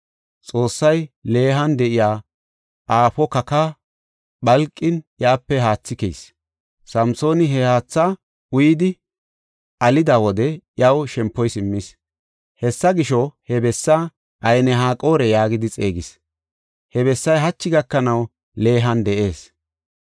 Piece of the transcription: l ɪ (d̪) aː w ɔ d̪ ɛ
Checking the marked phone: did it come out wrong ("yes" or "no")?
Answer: no